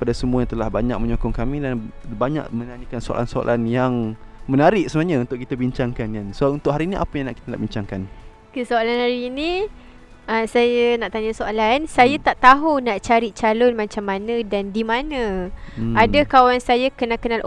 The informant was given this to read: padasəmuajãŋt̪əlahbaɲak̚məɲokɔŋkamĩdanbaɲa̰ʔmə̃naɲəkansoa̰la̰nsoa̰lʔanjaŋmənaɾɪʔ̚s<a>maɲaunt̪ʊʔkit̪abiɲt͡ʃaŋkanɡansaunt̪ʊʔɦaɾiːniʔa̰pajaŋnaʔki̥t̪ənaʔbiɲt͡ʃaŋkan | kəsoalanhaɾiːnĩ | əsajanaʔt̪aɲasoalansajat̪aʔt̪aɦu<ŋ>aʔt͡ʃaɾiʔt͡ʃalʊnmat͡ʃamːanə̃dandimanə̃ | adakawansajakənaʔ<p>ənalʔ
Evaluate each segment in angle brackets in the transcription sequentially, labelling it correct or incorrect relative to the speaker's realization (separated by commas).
incorrect, incorrect, incorrect